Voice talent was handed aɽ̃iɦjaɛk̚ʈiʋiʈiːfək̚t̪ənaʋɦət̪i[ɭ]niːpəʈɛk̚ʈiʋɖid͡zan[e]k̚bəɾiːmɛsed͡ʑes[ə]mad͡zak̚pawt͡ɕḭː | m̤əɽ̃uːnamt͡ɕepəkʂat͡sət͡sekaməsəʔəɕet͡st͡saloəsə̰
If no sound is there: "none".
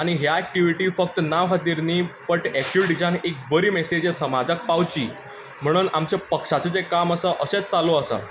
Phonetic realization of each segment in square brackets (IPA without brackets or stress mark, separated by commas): ɾ, e, ə